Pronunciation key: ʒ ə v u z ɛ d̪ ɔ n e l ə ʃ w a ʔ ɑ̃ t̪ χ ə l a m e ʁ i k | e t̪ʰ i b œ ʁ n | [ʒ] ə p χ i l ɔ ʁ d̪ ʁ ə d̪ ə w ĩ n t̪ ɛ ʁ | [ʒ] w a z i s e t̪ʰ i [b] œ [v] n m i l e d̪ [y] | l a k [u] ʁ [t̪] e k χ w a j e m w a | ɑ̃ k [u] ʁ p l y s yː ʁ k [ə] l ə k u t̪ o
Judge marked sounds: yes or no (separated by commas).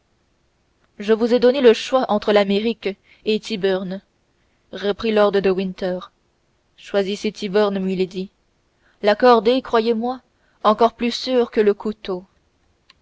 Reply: no, no, yes, no, no, no, no, no, yes